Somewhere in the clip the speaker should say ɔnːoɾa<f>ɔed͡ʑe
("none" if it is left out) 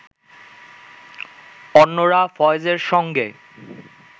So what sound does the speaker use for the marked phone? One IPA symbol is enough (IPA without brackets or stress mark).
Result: f